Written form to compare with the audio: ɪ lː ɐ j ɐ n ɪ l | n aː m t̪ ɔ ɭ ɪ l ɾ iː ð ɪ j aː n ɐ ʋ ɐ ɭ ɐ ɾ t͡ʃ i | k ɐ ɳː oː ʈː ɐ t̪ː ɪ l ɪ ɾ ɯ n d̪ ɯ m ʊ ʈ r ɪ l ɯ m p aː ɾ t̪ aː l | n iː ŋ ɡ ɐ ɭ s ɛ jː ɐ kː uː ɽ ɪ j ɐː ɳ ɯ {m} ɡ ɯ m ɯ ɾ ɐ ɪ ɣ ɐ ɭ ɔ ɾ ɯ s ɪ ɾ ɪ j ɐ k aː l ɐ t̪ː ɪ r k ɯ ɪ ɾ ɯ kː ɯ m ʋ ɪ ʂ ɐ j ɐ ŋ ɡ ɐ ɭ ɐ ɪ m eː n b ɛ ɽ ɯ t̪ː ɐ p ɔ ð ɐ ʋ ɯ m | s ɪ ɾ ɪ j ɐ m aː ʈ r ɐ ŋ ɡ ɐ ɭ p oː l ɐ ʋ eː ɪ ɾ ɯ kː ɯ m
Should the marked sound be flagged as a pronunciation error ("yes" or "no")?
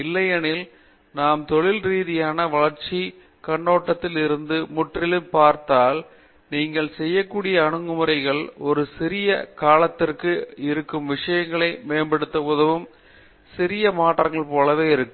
yes